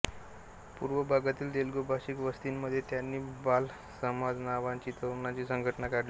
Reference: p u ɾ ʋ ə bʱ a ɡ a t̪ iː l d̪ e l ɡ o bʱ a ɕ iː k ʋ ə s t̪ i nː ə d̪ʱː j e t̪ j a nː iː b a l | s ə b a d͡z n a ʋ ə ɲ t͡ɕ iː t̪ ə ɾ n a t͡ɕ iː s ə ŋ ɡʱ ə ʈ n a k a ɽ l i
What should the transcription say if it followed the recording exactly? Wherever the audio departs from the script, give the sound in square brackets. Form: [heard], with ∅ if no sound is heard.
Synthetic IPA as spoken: p u ɾ ʋ ə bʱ a ɡ a t̪ iː l d̪ e l ɡ o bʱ a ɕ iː k ʋ ə s t̪ i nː ə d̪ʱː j e t̪ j a nː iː b a l | s ə [m] a d͡z n a ʋ [a] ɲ t͡ɕ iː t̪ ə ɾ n a t͡ɕ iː s ə ŋ ɡʱ ə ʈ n a k a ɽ l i